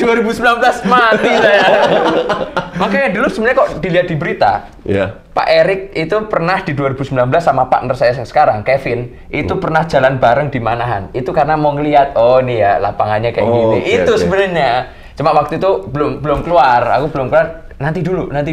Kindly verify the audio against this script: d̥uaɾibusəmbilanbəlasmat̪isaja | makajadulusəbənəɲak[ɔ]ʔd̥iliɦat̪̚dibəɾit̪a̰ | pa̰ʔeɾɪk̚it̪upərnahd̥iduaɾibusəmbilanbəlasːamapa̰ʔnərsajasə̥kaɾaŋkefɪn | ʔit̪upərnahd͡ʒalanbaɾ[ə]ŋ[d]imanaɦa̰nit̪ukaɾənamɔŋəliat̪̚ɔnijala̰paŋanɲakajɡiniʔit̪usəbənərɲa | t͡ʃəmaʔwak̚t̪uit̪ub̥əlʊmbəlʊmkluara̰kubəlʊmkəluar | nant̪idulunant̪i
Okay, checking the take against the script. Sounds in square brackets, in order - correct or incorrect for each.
correct, correct, correct

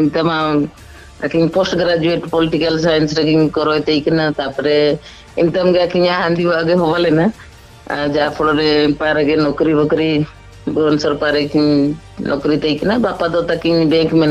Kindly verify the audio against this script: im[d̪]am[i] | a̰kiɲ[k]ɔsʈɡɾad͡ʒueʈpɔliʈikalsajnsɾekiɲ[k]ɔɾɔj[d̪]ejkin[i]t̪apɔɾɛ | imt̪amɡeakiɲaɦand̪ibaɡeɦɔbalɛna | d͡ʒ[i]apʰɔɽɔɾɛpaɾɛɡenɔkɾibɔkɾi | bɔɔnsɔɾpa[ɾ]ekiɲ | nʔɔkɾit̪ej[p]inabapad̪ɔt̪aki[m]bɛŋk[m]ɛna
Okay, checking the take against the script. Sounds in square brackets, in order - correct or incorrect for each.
incorrect: t̪, incorrect: a, incorrect: p, correct, incorrect: t̪, incorrect: a, incorrect: a, correct, incorrect: k, incorrect: ɲ, correct

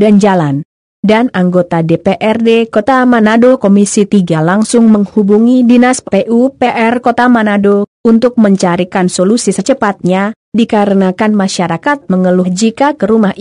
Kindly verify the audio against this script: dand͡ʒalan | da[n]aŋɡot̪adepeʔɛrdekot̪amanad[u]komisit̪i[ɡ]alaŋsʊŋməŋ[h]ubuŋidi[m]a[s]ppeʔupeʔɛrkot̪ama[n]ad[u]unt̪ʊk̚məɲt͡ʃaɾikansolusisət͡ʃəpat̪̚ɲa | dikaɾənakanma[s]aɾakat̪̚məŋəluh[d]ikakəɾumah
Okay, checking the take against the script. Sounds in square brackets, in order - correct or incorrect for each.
correct, incorrect: o, correct, correct, incorrect: n, correct, correct, incorrect: o, incorrect: ʃ, incorrect: d͡ʒ

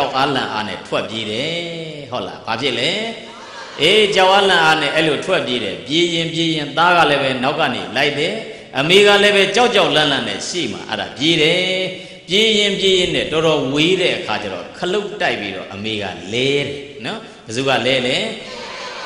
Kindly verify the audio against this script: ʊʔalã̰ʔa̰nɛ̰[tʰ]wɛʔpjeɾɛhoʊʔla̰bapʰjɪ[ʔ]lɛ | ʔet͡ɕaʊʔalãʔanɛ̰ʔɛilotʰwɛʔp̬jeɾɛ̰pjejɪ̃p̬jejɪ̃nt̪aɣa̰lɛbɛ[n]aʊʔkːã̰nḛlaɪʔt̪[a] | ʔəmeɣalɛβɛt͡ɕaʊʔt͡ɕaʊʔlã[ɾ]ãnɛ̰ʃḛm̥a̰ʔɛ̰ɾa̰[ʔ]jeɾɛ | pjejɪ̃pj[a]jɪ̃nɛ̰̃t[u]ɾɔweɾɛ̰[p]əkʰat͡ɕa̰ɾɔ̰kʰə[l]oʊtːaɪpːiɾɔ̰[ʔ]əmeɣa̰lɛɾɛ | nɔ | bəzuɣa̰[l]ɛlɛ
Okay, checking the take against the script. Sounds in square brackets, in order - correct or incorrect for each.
correct, correct, correct, incorrect: ɛ, incorrect: l, incorrect: p, incorrect: e, incorrect: ɔ, incorrect: ʔ, correct, correct, correct

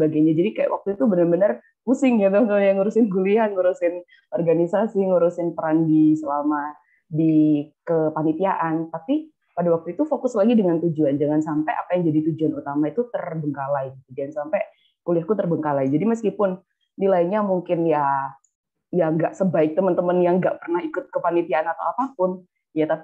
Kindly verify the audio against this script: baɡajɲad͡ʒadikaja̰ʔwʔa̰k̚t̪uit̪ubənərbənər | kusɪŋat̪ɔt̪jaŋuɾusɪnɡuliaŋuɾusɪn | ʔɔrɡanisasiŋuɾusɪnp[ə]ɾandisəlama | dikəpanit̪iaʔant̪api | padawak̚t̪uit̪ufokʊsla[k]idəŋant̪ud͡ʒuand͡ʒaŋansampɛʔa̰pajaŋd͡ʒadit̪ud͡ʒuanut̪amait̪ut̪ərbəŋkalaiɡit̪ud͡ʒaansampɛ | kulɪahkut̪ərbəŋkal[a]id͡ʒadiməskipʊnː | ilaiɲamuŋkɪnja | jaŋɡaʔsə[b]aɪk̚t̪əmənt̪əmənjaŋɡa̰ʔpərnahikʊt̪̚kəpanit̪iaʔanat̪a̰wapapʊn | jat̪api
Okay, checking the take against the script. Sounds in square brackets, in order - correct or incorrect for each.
correct, incorrect: ɡ, correct, correct

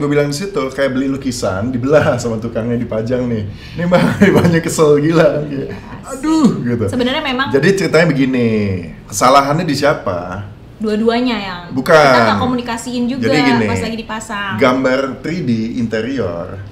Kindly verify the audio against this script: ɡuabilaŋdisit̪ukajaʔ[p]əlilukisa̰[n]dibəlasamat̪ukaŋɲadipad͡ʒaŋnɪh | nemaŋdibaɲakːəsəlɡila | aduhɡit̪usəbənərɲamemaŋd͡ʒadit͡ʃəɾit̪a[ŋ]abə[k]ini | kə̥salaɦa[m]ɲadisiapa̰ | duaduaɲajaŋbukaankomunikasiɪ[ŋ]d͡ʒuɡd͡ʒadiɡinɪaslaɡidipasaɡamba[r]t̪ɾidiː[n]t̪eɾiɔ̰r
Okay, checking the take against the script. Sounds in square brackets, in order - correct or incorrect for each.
incorrect: b, correct, incorrect: ɲ, incorrect: ɡ, incorrect: n, incorrect: n, correct, correct

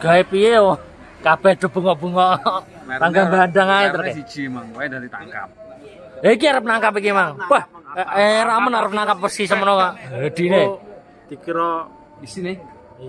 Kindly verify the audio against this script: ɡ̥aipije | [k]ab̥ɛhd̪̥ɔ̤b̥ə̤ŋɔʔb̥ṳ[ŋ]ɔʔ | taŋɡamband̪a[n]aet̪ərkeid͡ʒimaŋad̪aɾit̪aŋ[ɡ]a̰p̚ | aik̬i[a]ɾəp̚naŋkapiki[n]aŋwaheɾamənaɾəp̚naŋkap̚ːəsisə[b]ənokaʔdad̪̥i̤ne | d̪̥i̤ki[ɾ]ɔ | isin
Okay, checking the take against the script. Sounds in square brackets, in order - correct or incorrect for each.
correct, correct, incorrect: ŋ, incorrect: k, correct, incorrect: m, incorrect: m, correct

